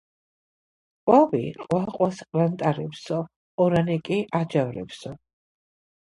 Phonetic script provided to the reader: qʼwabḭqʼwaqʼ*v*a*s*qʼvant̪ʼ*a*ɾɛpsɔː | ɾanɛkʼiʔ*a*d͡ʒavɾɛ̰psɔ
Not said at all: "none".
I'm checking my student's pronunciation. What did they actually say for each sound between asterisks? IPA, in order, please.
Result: w, s, a, a

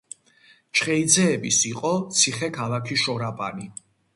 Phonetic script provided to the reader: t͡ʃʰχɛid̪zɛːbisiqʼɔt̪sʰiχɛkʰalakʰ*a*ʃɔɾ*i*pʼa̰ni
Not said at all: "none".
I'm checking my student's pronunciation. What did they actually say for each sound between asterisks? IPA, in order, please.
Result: i, a

